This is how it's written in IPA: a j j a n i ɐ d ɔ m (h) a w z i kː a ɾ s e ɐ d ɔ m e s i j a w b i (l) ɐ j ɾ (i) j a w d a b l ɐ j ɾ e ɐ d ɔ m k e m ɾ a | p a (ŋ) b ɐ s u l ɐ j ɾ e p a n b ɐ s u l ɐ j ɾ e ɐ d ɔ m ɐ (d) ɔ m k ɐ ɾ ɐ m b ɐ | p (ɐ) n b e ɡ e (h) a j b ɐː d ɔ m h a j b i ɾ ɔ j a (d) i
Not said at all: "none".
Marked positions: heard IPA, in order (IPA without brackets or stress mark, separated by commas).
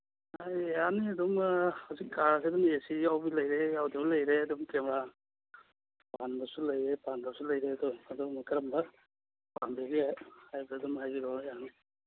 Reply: h, l, e, n, d, a, h, n